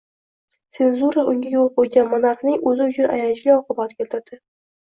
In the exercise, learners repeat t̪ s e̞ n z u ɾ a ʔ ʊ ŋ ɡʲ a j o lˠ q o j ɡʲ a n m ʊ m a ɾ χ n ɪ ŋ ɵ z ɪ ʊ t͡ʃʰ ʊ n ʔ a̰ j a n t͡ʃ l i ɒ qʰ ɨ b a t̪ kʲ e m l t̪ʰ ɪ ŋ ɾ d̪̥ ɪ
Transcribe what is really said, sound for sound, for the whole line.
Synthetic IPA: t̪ s e̞ n z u ɾ a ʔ ʊ ŋ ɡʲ a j o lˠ q o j ɡʲ a n m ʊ n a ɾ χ n ɪ ŋ ɵ z ɪ ʊ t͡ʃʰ ʊ n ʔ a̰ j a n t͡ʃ l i ɒ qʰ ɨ b a t̪ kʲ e l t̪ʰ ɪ ɾ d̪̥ ɪ